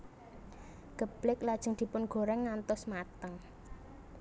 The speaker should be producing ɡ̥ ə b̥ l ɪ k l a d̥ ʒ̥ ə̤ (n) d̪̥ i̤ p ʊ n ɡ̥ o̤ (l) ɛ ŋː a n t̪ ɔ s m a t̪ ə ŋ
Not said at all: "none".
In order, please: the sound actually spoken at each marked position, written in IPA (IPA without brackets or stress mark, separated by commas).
ŋ, ɾ